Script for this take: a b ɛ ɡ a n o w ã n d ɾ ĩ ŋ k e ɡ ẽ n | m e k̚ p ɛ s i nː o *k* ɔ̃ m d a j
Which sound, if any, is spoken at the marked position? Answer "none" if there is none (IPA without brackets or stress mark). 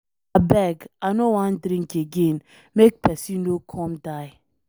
kʰ